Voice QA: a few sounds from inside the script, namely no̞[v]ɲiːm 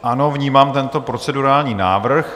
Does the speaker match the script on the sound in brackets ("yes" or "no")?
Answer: yes